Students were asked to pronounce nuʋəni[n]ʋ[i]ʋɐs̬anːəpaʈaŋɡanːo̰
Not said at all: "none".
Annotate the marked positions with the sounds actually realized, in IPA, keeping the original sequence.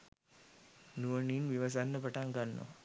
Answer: n, i

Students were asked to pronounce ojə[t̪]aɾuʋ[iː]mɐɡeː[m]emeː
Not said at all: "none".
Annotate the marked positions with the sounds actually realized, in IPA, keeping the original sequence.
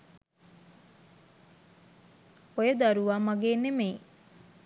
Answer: d̪, aː, n

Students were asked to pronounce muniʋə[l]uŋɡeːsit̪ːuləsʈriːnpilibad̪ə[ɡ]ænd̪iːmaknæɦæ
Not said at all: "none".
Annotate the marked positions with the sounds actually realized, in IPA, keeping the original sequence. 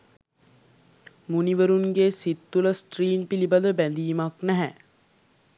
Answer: ɾ, b

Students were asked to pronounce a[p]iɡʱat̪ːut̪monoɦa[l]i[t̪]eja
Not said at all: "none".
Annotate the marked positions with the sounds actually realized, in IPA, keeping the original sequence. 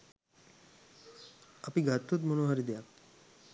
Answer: p, ɾ, d̪

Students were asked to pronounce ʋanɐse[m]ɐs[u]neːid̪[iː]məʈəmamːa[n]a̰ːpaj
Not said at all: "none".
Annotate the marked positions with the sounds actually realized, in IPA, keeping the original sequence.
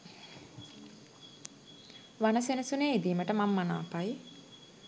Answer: n, u, iː, n

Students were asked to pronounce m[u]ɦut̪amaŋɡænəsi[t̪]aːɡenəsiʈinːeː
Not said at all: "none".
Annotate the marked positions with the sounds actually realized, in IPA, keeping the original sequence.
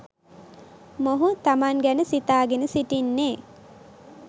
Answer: o, t̪

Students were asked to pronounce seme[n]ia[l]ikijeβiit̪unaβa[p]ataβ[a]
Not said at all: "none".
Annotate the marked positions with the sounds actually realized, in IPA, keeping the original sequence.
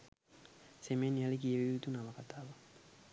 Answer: n, l, k, a

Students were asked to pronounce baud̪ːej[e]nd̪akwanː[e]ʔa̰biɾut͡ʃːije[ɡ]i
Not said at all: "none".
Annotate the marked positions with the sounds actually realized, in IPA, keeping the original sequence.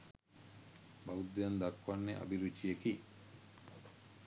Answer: a, e, k

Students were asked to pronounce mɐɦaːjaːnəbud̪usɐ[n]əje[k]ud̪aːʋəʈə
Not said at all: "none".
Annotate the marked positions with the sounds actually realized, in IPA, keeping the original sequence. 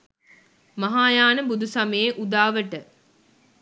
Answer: m, ʔ

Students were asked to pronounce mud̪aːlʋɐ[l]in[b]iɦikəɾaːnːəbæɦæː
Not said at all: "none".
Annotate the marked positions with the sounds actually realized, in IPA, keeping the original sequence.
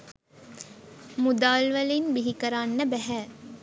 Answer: l, b

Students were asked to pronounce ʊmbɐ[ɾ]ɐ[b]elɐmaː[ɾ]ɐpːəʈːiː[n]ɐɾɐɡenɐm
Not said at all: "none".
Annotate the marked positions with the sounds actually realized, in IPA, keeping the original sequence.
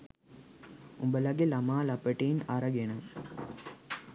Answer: l, ɡ, l, n

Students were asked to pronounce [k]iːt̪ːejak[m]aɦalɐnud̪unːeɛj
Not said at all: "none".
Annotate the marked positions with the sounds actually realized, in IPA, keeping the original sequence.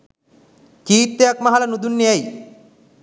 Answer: k, m

